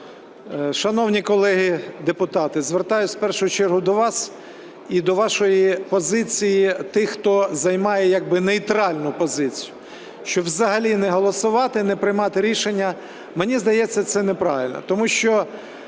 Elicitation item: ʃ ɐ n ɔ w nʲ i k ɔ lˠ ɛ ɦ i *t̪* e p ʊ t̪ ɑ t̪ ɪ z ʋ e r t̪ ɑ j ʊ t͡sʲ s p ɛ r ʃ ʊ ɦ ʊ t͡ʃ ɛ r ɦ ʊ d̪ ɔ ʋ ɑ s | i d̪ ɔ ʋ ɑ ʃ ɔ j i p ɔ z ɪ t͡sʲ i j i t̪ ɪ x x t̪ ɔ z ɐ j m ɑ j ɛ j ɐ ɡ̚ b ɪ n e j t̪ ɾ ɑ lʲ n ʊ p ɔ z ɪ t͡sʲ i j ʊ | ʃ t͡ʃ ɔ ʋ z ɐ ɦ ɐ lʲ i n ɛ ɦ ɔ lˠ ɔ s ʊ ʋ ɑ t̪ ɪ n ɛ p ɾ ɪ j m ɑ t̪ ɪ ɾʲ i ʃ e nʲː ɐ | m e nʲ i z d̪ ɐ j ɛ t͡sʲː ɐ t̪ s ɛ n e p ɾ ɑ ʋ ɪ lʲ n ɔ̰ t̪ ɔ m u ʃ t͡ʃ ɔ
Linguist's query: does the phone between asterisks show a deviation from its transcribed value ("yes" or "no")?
yes